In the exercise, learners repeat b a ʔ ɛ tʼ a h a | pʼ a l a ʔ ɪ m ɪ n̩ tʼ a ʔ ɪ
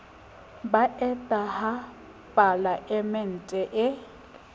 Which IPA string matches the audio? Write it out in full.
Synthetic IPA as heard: b a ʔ ɛ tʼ a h a | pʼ a l a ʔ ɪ m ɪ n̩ tʼ ɛ ʔ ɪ